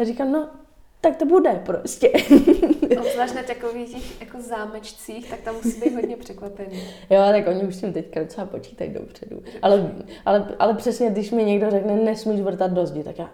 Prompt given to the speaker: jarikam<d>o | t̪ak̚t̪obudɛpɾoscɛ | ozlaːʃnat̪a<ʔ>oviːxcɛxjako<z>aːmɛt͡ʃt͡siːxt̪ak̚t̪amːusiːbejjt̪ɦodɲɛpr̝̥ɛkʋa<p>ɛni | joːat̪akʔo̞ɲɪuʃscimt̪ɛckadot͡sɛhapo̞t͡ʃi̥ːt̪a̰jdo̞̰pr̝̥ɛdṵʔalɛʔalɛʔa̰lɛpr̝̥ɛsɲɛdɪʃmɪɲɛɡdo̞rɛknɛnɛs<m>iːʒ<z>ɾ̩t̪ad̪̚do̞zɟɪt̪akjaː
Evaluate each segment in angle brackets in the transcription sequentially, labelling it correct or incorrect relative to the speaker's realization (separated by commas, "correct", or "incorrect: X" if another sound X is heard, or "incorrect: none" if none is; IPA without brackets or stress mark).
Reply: incorrect: n, incorrect: k, correct, correct, correct, incorrect: v